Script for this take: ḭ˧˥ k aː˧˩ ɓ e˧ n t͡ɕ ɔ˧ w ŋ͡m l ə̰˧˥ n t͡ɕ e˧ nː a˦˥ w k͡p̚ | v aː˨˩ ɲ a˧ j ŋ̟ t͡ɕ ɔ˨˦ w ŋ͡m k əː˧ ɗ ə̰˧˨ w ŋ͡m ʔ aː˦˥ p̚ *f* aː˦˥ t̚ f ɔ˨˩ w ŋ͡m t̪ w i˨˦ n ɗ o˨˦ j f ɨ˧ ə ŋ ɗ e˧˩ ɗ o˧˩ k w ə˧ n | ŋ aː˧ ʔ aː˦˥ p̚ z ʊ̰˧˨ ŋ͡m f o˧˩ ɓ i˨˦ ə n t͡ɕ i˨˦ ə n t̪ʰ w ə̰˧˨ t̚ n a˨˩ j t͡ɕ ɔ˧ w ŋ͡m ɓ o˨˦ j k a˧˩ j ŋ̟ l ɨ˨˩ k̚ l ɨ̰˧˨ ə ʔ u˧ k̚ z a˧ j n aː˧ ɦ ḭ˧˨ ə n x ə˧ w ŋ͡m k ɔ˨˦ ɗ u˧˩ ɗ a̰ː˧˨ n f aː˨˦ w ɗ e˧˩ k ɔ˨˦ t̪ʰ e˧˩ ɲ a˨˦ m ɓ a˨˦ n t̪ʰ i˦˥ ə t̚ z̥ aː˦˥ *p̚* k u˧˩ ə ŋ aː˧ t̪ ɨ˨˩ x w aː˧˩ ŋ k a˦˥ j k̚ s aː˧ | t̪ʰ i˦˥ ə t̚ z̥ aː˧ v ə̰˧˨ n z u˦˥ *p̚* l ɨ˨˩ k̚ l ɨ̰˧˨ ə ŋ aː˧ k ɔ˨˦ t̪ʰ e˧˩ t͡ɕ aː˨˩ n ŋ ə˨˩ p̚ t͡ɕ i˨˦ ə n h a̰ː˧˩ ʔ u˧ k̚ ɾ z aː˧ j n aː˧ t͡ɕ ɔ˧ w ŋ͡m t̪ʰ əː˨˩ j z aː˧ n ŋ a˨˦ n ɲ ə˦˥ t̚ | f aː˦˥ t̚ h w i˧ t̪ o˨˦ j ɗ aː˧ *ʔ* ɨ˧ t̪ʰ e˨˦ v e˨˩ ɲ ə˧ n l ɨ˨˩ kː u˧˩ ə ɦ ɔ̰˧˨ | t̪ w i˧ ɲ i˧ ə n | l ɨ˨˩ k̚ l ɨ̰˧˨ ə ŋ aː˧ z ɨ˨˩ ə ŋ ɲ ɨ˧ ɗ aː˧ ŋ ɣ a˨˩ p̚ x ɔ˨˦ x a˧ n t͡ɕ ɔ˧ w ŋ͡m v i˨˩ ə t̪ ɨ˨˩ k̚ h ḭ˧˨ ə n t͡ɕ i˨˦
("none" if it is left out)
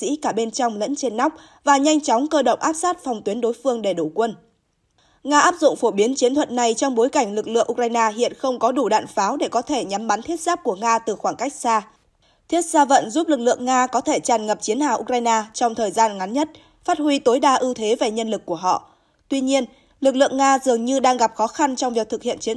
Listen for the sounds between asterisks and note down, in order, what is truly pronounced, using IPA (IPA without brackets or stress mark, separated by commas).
s, p̚, p̚, ʔ